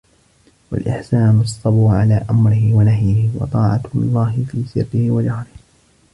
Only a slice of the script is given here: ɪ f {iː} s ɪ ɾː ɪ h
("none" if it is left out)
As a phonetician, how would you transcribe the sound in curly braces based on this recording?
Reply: iː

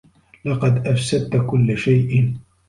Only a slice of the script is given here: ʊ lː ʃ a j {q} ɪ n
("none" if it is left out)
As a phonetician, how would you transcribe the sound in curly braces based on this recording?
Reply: ʔ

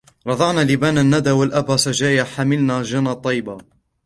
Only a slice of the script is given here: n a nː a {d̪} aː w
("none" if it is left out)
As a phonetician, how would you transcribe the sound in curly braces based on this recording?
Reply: d̪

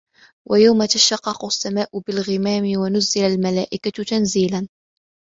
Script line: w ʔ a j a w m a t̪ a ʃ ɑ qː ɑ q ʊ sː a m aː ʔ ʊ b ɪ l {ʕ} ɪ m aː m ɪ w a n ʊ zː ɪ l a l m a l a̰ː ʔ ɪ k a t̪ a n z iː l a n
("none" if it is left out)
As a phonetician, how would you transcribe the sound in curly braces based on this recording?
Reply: ɣ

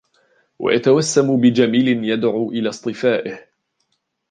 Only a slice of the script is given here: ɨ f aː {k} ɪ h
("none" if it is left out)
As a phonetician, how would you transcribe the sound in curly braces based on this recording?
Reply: ʔ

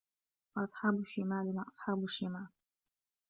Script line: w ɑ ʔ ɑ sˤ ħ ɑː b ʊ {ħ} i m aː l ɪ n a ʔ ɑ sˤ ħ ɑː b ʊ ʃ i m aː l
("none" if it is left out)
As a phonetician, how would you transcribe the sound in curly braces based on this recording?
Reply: ʃ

